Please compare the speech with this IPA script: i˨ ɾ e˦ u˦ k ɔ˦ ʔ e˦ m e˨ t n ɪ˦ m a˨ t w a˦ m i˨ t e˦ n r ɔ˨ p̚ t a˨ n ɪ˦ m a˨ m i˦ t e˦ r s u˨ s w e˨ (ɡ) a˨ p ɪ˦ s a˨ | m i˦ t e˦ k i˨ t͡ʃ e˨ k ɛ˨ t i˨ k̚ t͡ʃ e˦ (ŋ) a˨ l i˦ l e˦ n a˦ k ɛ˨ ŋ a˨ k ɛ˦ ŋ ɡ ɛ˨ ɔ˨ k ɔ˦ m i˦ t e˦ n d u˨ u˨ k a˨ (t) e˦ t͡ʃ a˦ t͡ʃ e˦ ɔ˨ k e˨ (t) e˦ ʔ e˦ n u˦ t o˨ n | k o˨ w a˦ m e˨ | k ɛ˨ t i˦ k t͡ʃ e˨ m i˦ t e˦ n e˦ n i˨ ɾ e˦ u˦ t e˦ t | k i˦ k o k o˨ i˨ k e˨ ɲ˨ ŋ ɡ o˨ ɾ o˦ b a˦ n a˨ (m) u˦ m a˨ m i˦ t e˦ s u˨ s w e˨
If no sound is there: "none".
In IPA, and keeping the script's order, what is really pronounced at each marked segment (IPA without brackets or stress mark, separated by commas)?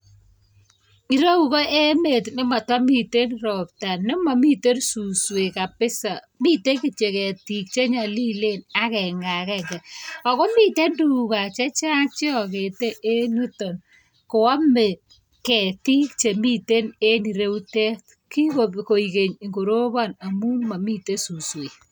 k, ɲ, t͡ʃ, t, m